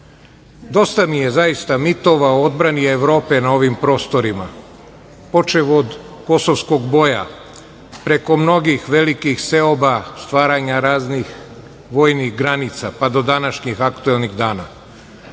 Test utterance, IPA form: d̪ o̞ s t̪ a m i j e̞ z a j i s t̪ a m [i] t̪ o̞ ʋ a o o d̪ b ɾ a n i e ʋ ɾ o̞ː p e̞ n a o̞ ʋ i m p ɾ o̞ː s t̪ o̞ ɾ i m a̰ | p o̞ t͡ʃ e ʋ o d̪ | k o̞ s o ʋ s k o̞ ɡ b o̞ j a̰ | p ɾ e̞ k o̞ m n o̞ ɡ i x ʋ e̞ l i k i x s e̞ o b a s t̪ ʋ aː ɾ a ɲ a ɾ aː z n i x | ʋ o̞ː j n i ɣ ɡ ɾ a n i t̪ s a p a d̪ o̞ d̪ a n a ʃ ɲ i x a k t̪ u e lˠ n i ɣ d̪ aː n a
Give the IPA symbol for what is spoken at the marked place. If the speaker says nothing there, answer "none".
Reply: i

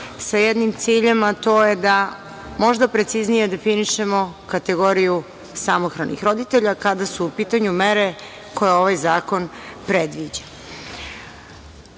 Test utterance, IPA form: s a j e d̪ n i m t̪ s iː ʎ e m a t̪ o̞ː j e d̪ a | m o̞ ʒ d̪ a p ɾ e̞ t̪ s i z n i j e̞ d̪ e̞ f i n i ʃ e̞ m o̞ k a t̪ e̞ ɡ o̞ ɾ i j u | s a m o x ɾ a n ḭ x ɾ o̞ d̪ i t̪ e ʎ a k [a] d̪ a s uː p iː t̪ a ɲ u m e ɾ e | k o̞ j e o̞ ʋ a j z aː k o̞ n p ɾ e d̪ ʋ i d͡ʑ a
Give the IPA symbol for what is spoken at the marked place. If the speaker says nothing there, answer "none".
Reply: a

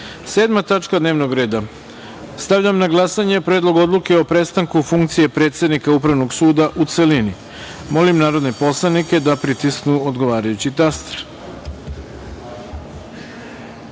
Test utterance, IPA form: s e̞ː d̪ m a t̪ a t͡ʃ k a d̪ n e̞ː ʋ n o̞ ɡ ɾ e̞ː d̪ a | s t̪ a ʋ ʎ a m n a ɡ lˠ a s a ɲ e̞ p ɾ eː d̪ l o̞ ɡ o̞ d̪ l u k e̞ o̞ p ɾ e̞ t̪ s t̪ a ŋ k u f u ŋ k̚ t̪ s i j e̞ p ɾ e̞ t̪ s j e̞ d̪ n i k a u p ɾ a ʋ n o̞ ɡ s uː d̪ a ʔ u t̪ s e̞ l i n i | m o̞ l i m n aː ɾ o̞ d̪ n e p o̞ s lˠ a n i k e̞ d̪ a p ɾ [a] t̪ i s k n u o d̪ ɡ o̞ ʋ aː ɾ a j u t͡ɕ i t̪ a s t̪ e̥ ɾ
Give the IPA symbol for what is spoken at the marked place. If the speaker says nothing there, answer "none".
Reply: i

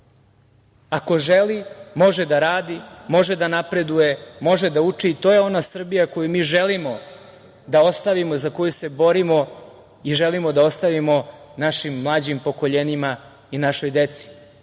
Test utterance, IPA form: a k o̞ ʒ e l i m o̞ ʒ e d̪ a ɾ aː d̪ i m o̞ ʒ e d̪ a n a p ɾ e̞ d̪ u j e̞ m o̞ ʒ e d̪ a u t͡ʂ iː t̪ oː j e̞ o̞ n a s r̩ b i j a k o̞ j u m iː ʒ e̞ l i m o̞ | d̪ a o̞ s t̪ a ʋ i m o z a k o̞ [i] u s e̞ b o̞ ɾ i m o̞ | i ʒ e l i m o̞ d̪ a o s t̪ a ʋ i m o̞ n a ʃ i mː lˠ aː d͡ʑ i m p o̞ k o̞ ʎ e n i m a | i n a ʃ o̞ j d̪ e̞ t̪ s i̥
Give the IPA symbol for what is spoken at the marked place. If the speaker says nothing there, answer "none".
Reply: j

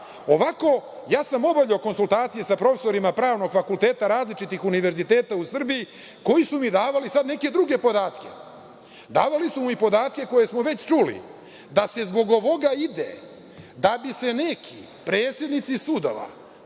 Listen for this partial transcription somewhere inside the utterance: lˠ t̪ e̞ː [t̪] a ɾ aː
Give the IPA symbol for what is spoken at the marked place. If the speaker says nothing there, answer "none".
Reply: t̪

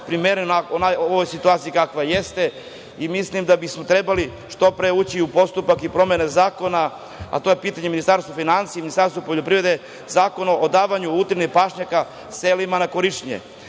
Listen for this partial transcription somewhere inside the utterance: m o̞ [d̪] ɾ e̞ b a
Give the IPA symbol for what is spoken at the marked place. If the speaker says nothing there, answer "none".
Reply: t̪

